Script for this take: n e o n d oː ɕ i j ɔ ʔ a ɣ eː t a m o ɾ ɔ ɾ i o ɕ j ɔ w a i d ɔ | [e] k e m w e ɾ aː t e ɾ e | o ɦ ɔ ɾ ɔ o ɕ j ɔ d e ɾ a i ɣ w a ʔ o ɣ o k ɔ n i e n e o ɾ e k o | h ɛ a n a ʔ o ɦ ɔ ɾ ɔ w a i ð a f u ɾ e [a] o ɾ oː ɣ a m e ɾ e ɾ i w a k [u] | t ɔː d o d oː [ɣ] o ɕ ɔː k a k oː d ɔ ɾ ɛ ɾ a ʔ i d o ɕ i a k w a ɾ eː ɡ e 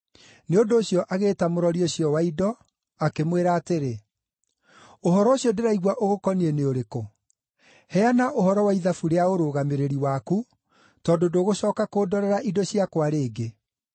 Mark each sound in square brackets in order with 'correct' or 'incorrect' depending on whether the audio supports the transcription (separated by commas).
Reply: incorrect, correct, correct, correct